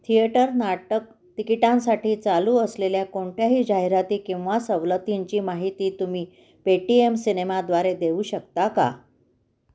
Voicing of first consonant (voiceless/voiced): voiceless